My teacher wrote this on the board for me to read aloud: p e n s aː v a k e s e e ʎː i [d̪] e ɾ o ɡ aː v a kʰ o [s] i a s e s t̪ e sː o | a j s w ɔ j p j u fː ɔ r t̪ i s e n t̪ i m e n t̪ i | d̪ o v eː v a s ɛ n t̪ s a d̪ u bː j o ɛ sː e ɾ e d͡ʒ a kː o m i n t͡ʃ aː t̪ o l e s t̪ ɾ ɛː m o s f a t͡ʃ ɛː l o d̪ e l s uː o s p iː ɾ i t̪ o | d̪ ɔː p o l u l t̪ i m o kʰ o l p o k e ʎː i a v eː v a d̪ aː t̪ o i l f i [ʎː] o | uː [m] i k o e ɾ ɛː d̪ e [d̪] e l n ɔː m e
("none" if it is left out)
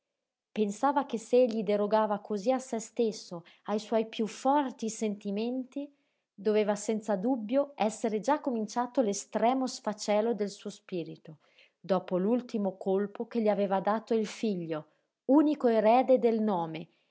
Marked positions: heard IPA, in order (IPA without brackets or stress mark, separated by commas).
d̪, z, ʎː, n, d̪